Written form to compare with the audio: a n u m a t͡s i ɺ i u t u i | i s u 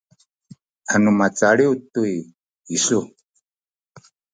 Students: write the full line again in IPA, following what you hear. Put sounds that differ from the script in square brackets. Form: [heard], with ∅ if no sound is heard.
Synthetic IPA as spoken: a n u m a t͡s [a] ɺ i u t u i | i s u